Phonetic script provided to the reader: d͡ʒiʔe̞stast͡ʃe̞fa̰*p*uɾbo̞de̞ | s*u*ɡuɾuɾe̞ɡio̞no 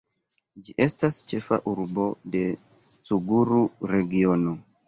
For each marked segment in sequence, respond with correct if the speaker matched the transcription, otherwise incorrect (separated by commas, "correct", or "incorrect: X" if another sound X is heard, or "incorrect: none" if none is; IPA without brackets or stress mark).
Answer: incorrect: ʔ, correct